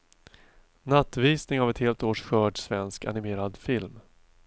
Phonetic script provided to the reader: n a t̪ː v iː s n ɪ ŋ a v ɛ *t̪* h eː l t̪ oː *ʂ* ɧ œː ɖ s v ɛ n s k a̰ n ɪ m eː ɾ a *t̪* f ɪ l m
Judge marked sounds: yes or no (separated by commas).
yes, yes, no